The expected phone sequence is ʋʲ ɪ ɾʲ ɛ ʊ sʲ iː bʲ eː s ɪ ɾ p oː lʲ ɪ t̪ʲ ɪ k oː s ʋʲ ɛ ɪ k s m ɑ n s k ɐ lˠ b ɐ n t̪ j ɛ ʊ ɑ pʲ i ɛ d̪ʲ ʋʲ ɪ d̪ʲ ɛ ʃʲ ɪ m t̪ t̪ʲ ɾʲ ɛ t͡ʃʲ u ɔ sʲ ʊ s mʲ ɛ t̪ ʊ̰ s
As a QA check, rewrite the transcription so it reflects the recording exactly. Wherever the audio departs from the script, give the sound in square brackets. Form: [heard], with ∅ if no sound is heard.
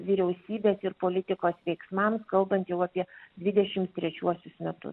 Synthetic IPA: ʋʲ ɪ ɾʲ ɛ ʊ sʲ iː bʲ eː s ɪ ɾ p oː lʲ ɪ t̪ʲ ɪ k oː s ʋʲ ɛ ɪ k s m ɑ [m] s k ɐ lˠ b ɐ n t̪ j ɛ ʊ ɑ pʲ i ɛ d̪ʲ ʋʲ ɪ d̪ʲ ɛ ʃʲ ɪ m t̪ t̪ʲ ɾʲ ɛ t͡ʃʲ u ɔ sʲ ʊ s mʲ ɛ t̪ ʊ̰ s